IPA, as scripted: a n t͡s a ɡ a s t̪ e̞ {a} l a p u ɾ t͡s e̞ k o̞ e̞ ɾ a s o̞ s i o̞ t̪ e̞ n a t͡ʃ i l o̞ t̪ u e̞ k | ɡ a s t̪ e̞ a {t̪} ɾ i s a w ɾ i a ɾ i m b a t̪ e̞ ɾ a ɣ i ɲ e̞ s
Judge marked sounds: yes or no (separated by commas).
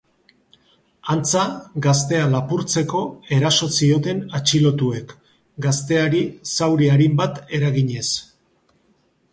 yes, no